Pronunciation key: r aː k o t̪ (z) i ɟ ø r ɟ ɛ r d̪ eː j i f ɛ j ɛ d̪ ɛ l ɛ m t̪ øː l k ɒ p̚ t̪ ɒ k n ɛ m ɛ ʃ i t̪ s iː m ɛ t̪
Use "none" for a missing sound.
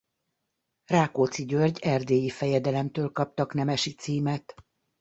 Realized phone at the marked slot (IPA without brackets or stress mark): s